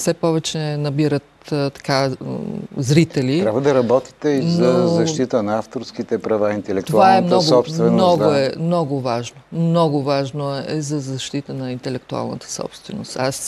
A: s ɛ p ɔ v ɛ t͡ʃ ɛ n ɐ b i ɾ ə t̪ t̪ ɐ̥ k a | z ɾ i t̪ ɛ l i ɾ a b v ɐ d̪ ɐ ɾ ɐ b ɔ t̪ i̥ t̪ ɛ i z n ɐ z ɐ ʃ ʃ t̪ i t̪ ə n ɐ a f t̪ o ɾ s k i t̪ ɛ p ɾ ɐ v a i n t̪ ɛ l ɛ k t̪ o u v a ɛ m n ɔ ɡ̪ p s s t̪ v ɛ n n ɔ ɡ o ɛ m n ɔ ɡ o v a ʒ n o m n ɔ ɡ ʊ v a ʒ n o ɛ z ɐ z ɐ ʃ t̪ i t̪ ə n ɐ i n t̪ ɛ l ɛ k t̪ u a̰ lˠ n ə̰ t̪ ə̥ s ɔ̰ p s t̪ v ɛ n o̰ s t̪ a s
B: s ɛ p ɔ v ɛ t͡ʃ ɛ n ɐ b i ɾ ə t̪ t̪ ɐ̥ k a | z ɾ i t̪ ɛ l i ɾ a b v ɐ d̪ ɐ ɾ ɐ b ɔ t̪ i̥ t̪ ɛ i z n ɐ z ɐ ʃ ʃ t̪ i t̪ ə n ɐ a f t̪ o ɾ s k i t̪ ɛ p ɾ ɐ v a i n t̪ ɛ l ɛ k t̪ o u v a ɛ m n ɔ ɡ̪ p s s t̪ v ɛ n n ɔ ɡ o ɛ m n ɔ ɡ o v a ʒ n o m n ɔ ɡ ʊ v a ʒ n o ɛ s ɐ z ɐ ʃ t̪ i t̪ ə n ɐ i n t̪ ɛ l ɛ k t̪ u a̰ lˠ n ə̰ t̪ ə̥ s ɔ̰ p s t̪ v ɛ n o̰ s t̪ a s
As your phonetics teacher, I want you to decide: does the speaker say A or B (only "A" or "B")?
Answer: A